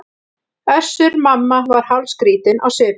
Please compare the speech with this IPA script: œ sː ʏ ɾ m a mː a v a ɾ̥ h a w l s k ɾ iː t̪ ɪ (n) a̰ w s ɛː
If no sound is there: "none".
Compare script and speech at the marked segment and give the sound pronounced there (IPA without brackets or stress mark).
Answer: n